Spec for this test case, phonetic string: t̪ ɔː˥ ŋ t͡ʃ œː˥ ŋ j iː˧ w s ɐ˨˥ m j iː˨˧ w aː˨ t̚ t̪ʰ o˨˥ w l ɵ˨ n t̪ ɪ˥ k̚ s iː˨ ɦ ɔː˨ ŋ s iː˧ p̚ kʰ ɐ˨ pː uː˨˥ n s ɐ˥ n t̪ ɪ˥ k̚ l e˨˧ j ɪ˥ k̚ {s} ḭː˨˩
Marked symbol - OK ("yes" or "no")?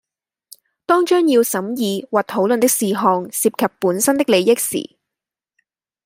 yes